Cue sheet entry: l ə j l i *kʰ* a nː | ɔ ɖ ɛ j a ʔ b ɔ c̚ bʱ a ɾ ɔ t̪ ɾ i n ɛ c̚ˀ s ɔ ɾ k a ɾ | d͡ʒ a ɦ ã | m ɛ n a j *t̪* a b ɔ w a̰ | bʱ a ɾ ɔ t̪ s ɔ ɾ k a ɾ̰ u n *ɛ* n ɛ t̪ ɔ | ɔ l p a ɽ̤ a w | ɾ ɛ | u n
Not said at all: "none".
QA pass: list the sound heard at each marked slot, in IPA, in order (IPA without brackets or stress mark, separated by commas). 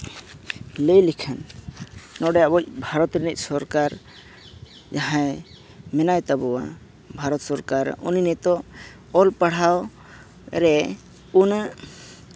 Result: kʰ, t̪, i